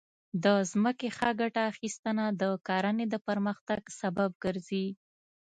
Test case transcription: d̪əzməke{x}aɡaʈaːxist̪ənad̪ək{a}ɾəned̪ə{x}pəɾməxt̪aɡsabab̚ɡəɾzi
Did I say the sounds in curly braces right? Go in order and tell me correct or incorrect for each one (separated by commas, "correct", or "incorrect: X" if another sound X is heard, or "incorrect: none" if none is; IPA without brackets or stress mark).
correct, incorrect: ɑ, incorrect: none